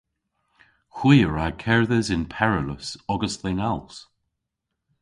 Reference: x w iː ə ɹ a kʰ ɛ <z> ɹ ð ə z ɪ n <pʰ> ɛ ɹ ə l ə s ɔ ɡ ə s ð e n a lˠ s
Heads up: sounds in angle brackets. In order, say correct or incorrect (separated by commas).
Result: incorrect, correct